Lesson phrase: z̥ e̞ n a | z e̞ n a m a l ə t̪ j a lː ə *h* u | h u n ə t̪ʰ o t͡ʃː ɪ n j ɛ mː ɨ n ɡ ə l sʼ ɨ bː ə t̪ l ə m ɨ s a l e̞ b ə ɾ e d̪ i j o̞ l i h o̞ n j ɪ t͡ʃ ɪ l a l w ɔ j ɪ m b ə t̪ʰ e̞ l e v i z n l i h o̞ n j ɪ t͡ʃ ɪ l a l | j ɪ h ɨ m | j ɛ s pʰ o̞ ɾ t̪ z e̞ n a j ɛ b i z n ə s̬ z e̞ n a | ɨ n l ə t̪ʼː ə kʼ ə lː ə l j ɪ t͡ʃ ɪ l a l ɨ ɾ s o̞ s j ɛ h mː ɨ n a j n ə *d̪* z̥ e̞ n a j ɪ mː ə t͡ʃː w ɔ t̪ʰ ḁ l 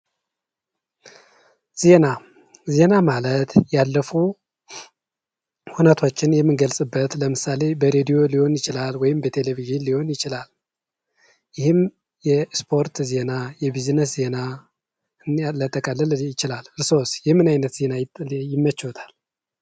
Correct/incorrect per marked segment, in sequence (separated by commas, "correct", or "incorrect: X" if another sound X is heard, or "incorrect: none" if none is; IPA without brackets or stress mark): incorrect: f, incorrect: t̪